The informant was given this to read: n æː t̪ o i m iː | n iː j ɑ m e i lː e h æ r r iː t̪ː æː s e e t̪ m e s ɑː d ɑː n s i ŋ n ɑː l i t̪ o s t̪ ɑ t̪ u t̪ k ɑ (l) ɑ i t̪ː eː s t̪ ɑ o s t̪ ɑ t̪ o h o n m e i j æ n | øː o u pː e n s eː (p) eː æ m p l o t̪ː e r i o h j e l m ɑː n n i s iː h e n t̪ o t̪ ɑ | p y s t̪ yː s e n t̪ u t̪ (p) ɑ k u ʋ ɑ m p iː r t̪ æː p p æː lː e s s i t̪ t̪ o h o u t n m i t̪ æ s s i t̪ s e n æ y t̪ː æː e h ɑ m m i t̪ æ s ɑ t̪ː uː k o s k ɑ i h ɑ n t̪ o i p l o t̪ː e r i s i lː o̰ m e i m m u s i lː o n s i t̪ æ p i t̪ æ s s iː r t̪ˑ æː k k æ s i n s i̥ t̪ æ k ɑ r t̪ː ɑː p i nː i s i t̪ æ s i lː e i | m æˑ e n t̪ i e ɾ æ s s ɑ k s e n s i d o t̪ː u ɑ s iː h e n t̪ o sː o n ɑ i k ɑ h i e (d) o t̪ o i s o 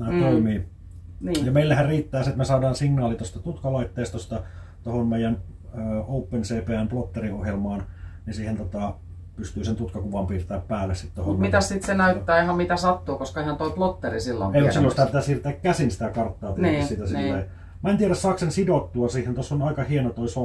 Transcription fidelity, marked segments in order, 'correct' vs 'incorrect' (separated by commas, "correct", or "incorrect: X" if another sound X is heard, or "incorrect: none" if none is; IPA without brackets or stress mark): correct, correct, incorrect: k, incorrect: n